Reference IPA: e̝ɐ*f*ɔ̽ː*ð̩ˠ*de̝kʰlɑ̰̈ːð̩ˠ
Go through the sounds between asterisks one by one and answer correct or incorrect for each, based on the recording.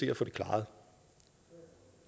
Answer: correct, incorrect: none

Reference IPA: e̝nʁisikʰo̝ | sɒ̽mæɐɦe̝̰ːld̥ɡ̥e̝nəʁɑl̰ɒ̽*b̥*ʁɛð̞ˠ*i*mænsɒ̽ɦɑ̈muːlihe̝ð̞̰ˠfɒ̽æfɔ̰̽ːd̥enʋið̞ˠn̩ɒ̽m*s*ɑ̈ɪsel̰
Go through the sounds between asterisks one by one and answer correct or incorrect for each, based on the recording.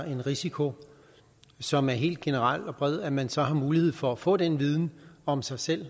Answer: correct, incorrect: æ, correct

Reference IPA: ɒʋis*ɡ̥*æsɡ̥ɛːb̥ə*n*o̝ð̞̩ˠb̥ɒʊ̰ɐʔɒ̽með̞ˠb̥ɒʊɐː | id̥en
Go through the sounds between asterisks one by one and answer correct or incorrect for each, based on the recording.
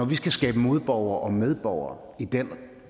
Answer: correct, incorrect: m

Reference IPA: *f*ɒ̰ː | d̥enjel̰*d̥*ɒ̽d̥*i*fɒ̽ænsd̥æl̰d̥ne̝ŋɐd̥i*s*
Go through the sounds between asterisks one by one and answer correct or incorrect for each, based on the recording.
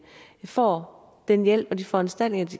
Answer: correct, incorrect: b̥, correct, incorrect: none

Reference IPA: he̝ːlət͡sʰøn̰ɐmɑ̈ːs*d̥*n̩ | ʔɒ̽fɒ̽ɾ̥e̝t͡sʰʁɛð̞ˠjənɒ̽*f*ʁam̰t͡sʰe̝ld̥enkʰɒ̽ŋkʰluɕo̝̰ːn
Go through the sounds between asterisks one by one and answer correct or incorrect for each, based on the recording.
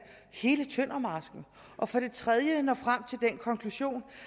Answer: incorrect: ɡ̥, correct

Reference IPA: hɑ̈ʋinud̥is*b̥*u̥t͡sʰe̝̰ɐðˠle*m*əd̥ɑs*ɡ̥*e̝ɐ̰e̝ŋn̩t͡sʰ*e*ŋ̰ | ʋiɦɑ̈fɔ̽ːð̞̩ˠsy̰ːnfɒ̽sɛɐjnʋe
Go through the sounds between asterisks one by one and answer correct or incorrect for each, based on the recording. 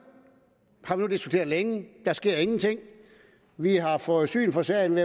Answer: incorrect: ɡ̥, incorrect: ŋ, correct, correct

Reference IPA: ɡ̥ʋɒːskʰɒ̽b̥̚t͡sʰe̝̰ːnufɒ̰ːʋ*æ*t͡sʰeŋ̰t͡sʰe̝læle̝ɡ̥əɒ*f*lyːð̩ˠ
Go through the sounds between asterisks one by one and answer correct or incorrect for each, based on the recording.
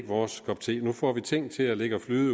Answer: incorrect: i, correct

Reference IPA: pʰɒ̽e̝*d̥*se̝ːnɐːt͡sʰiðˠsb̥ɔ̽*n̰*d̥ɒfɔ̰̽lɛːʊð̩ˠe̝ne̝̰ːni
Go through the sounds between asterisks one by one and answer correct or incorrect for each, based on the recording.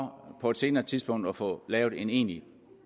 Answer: correct, incorrect: ŋ̰

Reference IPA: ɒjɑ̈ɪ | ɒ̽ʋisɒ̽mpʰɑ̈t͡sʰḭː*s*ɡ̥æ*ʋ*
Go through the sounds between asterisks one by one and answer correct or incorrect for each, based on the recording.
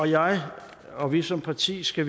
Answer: correct, correct

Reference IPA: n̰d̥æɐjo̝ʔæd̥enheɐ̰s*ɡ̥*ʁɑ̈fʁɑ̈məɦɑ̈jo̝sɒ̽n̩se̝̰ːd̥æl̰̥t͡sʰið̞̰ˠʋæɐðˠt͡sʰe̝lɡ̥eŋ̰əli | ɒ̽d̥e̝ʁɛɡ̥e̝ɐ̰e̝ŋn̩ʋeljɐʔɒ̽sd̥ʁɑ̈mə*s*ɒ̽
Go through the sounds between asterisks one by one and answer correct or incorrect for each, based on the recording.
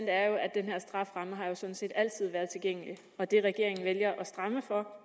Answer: incorrect: d̥, incorrect: f

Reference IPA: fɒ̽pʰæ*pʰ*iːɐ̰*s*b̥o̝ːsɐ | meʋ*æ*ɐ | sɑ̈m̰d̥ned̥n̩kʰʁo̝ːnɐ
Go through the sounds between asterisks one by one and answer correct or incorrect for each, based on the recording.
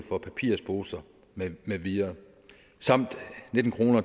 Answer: correct, correct, incorrect: i

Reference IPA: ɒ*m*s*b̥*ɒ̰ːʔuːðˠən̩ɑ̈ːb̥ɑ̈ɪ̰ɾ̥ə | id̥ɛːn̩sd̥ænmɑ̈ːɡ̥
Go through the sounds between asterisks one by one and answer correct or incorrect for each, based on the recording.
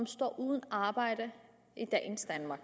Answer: correct, incorrect: d̥

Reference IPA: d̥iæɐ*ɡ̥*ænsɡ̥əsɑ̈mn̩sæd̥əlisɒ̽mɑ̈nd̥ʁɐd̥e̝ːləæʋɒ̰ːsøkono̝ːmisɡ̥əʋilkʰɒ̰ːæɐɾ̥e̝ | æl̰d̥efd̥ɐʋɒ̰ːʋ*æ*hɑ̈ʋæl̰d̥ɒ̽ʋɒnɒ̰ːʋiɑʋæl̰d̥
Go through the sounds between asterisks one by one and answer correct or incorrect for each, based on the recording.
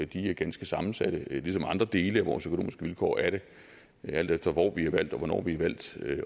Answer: correct, incorrect: i

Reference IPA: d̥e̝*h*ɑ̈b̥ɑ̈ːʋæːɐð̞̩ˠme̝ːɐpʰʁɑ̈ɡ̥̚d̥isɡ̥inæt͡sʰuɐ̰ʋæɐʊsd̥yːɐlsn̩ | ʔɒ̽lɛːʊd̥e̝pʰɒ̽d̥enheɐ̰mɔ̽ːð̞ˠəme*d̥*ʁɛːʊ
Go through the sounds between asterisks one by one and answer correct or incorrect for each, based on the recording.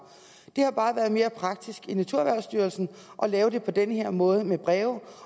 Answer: correct, incorrect: b̥

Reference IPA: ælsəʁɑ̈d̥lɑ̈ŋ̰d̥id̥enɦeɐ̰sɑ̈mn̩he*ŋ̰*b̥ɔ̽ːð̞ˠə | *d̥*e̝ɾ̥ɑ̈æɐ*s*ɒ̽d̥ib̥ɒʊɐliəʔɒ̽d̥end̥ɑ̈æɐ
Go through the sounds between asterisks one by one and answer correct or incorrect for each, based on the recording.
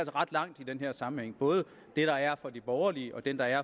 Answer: correct, correct, incorrect: f

